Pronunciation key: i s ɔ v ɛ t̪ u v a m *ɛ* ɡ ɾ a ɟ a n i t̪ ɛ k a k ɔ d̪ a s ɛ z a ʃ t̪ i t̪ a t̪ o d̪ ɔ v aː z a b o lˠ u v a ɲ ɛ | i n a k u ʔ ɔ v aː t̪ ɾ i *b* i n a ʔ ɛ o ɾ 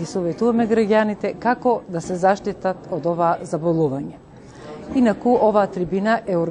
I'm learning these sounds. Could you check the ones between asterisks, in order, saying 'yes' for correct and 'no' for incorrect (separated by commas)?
yes, yes